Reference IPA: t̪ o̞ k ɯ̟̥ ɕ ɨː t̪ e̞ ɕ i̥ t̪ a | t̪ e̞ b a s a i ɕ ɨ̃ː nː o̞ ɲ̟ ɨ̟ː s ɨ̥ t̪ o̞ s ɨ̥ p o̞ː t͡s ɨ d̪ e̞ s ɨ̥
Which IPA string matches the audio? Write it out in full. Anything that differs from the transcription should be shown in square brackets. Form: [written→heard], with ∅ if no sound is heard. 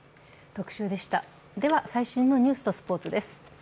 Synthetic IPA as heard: t̪ o̞ k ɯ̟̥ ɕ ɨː [t̪→d̪] e̞ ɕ i̥ t̪ a | [t̪→d̪] e̞ [b→β] a s a i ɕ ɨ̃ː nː o̞ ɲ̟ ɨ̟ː s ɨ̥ t̪ o̞ s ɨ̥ p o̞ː t͡s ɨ d̪ e̞ s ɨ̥